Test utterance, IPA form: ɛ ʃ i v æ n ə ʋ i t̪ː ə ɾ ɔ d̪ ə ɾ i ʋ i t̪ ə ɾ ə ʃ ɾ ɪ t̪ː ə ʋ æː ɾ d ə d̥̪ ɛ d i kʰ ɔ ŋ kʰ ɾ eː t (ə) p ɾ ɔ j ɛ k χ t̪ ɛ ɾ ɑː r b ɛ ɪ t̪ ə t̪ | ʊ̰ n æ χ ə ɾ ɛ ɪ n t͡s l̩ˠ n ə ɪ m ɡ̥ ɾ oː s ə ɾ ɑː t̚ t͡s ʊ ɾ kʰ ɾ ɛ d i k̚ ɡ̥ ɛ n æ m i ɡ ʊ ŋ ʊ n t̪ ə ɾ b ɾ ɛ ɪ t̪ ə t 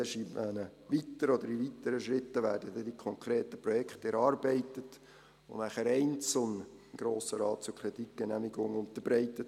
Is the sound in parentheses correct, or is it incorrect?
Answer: correct